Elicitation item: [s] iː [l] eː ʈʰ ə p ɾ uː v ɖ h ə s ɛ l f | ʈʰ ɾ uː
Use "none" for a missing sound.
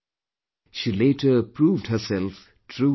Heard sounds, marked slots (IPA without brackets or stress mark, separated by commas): ʃ, l